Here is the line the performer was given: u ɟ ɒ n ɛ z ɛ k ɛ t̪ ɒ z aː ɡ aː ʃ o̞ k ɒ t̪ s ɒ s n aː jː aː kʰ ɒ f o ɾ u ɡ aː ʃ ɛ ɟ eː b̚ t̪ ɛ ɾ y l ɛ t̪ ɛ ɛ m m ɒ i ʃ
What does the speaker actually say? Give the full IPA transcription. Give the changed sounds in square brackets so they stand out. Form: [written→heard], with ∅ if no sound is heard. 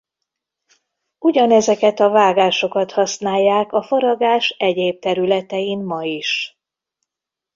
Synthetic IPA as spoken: u ɟ ɒ n ɛ z ɛ k ɛ t̪ ɒ [z→v] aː ɡ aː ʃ o̞ k ɒ t̪ [s→h] ɒ s n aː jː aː [kʰ→k] ɒ f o ɾ [u→ɒ] ɡ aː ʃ ɛ ɟ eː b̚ t̪ ɛ ɾ y l ɛ t̪ ɛ [ɛ→i] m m ɒ i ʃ